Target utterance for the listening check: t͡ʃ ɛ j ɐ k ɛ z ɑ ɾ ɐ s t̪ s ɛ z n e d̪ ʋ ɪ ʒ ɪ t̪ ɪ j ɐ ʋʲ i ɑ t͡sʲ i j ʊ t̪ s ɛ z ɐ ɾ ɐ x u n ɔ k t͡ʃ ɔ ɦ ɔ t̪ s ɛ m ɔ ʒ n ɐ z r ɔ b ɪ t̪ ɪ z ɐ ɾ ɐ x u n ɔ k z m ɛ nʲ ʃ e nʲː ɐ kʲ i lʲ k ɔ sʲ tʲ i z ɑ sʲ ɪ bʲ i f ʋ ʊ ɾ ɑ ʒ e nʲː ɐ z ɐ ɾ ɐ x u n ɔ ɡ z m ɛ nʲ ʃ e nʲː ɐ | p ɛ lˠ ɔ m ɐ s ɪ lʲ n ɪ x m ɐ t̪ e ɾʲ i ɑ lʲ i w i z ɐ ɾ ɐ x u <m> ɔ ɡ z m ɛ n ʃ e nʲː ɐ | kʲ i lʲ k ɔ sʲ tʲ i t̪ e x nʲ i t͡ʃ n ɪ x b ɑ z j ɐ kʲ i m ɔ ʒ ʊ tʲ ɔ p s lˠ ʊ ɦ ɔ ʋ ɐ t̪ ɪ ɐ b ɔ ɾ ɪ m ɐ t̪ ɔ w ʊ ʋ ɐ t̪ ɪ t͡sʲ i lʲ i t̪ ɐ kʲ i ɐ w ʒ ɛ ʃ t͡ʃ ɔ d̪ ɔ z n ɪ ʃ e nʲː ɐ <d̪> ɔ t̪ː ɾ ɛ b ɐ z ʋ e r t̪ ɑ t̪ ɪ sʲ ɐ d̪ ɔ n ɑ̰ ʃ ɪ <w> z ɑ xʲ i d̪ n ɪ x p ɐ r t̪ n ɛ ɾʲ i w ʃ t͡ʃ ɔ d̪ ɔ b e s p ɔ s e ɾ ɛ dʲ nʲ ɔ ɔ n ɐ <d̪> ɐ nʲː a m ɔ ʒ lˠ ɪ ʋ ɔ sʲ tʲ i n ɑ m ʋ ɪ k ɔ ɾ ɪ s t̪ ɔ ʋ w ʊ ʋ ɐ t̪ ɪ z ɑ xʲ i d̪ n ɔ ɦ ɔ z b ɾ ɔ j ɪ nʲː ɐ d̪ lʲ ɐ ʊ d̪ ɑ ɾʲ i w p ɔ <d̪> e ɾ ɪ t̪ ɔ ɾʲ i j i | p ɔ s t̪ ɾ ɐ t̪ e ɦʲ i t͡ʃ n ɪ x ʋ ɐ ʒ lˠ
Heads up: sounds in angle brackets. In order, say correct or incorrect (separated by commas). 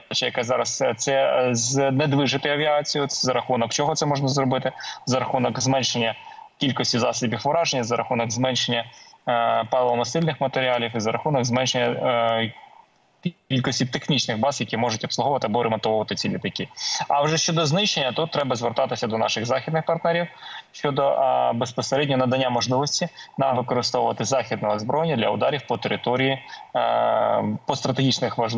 incorrect, incorrect, incorrect, correct, incorrect